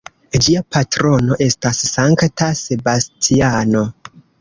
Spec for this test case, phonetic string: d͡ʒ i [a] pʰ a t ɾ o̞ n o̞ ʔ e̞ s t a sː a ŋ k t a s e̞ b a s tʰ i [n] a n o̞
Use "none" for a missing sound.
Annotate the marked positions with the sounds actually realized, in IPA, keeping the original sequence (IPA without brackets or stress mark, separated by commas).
a, none